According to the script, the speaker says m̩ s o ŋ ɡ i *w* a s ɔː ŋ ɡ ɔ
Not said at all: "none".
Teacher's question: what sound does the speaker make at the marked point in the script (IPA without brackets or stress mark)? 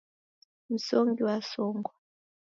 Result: w